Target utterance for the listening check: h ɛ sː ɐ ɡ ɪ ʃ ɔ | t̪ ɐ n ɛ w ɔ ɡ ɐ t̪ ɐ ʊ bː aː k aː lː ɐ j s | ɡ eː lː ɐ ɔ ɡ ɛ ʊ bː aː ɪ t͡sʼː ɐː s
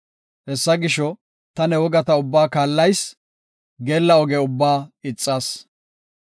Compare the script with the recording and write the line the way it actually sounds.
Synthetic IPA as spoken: h ɛ sː ɐ ɡ ɪ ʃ ɔ | t̪ ɐ n ɛ w ɔ ɡ ɐ t̪ ɐ ʊ bː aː k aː lː ɐ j s | ɡ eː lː ɐ ɔ ɡ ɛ ʊ bː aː ɪ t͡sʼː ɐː s